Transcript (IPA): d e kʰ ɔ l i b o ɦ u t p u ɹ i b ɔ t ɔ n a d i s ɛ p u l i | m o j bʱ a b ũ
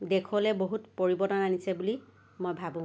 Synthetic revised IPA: d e kʰ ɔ l ɛ b o ɦ u t p o ɹ i b ɔ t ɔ n a n i s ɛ b u l i | m o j bʱ a b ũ